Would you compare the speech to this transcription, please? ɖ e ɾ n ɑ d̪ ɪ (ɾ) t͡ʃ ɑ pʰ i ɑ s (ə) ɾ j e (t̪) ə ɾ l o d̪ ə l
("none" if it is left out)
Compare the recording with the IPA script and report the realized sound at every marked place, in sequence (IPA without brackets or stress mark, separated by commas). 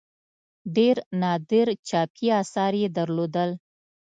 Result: ɾ, ɑ, d̪